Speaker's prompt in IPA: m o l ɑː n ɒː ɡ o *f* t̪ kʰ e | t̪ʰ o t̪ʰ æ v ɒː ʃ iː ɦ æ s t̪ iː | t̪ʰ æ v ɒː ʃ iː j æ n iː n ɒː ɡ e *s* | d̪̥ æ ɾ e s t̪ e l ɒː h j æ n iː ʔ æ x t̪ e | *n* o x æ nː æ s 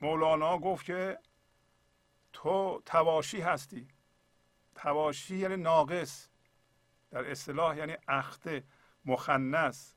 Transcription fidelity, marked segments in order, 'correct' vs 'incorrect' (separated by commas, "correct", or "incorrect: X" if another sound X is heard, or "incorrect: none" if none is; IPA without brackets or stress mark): correct, correct, incorrect: m